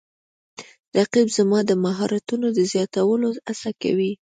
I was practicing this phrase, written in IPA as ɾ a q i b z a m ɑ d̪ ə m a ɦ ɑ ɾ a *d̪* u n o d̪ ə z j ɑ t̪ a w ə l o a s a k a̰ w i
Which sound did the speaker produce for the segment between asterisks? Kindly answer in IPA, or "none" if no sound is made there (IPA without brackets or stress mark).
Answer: t̪